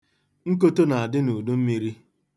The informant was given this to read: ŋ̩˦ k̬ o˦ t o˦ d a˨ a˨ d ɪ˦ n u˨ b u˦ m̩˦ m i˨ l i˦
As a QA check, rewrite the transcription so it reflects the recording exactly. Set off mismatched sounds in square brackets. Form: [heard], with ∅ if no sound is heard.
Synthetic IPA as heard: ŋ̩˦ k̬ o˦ t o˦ [n] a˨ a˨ d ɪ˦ n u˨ [d] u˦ m̩˦ m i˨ [ɾ] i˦